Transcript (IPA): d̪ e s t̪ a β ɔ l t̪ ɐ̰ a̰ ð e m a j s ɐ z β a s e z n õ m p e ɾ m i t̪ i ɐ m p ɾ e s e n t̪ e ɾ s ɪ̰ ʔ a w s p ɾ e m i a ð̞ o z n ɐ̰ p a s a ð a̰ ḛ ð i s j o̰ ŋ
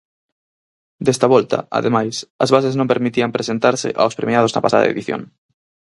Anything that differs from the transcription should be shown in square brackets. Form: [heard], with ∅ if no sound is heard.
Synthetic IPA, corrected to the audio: d̪ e s t̪ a β ɔ l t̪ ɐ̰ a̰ ð e m a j s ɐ z β a s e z n õ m p e ɾ m i t̪ i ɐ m p ɾ e s e n t̪ [a] ɾ s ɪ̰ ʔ a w s p ɾ e m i a ð̞ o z n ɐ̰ p a s a ð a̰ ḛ ð i [θ] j o̰ ŋ